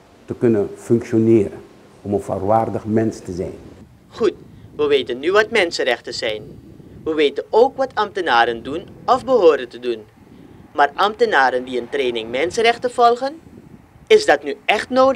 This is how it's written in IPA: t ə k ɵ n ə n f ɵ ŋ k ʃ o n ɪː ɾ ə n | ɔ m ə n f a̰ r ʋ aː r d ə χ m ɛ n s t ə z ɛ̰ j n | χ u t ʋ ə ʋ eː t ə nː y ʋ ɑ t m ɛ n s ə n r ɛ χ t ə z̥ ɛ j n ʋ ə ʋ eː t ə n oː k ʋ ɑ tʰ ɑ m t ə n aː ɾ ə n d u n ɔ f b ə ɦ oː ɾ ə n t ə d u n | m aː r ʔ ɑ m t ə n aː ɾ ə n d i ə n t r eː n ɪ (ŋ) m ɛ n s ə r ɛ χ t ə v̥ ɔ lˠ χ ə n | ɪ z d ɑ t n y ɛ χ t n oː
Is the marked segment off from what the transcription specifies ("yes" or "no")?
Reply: no